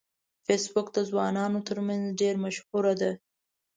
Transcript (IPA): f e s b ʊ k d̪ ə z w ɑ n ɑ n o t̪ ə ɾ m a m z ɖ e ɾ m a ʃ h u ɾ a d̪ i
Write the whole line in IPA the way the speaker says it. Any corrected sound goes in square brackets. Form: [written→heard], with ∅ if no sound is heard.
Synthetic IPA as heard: f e s b ʊ k d̪ ə z w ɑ n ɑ n o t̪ ə ɾ m a [m→n] z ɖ e ɾ m a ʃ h u ɾ a d̪ [i→a]

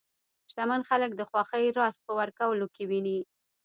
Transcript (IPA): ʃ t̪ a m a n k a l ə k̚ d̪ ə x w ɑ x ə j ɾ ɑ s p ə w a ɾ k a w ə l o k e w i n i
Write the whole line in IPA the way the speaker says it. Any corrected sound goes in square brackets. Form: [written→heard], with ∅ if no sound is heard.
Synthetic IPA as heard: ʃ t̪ a m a n [k→x] a l ə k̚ d̪ ə x w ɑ x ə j ɾ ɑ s p ə w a ɾ k a w ə l o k e w i n i

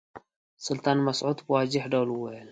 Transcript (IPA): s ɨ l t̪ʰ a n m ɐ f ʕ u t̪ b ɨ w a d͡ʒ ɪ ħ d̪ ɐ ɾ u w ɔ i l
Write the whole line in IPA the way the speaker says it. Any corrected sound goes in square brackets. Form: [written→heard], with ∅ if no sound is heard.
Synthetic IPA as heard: s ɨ l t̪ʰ a n m ɐ [f→s] ʕ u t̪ b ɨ w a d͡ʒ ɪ ħ d̪ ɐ [ɾ→l] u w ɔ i l

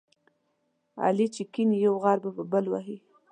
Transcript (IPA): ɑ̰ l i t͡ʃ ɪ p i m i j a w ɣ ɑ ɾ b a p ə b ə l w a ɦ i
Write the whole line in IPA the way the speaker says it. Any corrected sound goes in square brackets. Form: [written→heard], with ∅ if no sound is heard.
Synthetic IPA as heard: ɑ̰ l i t͡ʃ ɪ [p→k] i [m→n] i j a w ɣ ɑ ɾ b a p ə b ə l w a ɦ i

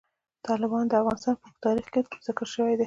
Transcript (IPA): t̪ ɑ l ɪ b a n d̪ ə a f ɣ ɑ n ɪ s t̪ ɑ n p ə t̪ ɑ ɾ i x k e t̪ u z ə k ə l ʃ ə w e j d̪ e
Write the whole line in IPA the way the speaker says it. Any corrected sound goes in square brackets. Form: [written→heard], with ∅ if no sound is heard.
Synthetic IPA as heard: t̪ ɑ l ɪ b [a→ɑ] n d̪ ə a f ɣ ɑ n ɪ s t̪ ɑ n p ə t̪ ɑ ɾ i x k e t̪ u z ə k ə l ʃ ə w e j d̪ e

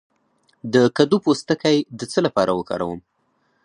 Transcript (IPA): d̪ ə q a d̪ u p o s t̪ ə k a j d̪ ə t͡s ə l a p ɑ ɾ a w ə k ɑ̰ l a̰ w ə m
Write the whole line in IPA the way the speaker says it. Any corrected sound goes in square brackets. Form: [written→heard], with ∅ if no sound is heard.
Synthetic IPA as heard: d̪ ə [q→k] a d̪ u p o s t̪ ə k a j d̪ ə t͡s ə l a p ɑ ɾ a w ə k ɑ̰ [l→ɾ] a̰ w ə m

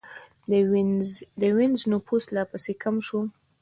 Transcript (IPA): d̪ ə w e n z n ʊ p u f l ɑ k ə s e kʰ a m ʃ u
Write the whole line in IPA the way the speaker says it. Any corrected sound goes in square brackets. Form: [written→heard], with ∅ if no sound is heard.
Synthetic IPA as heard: d̪ ə w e n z n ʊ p u [f→s] l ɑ [k→p] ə s e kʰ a m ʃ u

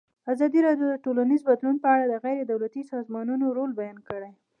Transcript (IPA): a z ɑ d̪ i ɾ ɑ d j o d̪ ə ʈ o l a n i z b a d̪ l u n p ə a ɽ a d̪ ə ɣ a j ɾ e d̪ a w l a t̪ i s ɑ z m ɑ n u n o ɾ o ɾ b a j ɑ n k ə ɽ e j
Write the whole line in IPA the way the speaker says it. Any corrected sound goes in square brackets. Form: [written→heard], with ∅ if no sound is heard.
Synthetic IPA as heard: a z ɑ d̪ i ɾ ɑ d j o d̪ ə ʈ o l a n i z b a d̪ l u n p ə a ɽ a d̪ ə ɣ a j ɾ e d̪ a w l a t̪ i s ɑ z m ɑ n u n o ɾ o [ɾ→l] b a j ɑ n k ə ɽ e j

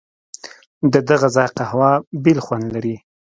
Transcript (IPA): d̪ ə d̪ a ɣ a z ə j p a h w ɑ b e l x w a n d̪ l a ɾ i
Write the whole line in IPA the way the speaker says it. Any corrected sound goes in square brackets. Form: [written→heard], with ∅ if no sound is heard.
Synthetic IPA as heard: d̪ ə d̪ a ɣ a z [ə→ɑ] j [p→q] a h w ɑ b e l x w a n d̪ l a ɾ i

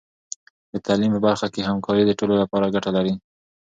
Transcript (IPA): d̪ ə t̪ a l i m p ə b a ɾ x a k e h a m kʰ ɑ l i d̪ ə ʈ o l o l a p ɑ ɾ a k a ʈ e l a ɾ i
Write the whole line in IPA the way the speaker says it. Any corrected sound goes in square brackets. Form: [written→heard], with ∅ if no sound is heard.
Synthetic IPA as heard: d̪ ə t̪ a l i m p ə b a ɾ x a k e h a m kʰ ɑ [l→ɾ] i d̪ ə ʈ o l o l a p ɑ ɾ a [k→ɡ] a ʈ [e→a] l a ɾ i

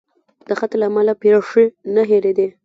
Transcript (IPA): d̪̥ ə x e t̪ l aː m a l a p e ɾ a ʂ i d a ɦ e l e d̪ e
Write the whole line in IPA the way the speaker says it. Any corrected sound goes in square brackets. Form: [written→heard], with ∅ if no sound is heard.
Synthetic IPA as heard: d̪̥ ə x [e→a] t̪ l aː m a l a p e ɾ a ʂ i [d→n] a ɦ e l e d̪ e

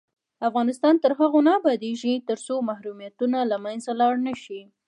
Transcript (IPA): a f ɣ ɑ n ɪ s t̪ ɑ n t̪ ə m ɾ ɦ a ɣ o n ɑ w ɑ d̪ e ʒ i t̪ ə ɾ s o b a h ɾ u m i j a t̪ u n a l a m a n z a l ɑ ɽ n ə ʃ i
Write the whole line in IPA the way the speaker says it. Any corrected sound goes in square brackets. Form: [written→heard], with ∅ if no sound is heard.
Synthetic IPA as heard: a f ɣ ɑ n ɪ s t̪ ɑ n t̪ ə [m→∅] ɾ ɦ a ɣ o n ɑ [w→b] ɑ d̪ e ʒ i t̪ ə ɾ s o [b→m] a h ɾ u m i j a t̪ u n a l a m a n z a l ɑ ɽ n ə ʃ i

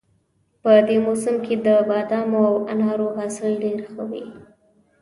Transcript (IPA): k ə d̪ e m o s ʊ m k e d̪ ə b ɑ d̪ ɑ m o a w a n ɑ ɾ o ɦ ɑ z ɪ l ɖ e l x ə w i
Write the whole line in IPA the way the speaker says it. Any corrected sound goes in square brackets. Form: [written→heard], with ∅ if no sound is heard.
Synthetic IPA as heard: [k→p] ə d̪ e m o s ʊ m k e d̪ ə b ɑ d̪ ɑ m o a w a n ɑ ɾ o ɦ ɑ [z→s] ɪ l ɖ e [l→ɾ] x ə w i

